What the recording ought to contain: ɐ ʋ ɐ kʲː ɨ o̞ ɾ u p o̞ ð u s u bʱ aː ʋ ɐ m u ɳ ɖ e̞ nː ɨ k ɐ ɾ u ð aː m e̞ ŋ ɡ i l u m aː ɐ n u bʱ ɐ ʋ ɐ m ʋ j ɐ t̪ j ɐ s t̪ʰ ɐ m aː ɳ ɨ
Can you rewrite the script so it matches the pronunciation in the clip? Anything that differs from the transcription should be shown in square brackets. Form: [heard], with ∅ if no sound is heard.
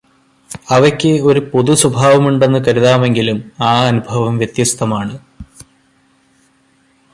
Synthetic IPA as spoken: ɐ ʋ ɐ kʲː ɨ o̞ ɾ u p o̞ ð u s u bʱ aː ʋ ɐ m u ɳ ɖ e̞ nː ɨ k ɐ ɾ u ð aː m e̞ ŋ ɡ i l u m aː ɐ n u bʱ ɐ ʋ ɐ m ʋ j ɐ t̪ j ɐ s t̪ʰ ɐ m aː ɳ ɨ